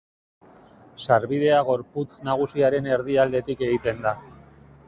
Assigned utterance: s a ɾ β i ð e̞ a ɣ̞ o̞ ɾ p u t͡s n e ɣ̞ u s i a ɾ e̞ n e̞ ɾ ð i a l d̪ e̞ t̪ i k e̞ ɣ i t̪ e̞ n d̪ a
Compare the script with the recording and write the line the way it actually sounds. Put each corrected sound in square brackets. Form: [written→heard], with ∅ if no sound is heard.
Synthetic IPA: s a ɾ β i ð e̞ a ɣ̞ o̞ ɾ p u t͡s n [e→a] ɣ̞ u s i a ɾ e̞ n e̞ ɾ ð i a l d̪ e̞ t̪ i k e̞ ɣ i t̪ e̞ n d̪ a